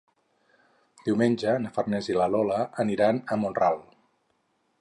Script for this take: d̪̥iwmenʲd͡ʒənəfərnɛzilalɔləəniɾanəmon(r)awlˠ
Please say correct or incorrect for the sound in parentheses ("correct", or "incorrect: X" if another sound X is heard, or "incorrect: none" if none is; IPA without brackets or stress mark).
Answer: correct